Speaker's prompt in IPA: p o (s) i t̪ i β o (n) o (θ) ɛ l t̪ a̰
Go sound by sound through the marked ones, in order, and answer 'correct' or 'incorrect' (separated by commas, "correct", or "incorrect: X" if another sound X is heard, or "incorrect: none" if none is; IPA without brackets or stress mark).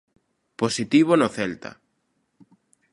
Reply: correct, correct, correct